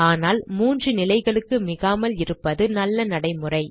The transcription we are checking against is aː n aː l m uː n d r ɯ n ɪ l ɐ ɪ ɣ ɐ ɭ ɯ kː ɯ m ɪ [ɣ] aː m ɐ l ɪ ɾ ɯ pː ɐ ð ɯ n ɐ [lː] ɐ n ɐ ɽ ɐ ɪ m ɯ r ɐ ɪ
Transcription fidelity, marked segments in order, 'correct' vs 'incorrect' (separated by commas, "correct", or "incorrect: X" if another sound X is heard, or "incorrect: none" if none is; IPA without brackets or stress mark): correct, correct